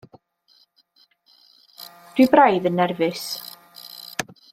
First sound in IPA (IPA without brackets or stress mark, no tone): d̥